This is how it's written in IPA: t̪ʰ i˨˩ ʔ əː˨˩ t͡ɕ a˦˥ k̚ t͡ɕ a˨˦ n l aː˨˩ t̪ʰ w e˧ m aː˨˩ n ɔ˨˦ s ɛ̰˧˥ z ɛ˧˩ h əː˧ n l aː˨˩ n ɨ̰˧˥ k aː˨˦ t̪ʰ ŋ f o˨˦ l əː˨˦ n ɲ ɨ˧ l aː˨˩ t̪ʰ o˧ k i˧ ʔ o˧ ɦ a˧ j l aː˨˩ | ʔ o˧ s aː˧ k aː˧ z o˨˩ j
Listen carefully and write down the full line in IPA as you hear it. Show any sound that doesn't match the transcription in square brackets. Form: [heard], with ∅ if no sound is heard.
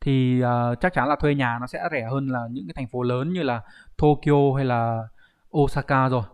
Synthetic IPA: t̪ʰ i˨˩ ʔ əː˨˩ t͡ɕ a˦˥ k̚ t͡ɕ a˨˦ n l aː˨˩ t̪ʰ w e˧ [ɲ] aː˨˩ n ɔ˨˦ s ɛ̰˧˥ z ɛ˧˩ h əː˧ n l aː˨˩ [ɲ] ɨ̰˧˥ k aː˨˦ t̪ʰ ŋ f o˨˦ l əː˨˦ n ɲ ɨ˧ l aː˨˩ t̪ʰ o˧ k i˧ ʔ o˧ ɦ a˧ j l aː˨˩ | ʔ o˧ s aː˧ k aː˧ z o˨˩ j